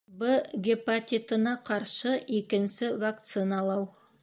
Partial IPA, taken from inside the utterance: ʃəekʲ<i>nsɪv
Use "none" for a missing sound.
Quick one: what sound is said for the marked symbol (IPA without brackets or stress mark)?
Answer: ɪ